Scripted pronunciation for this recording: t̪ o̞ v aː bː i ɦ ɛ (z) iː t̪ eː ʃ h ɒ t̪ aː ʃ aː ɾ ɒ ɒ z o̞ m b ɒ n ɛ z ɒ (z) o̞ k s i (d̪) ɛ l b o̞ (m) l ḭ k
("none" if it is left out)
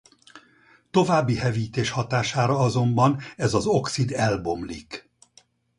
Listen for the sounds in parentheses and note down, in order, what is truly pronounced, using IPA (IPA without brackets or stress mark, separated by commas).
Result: v, z, d̪, m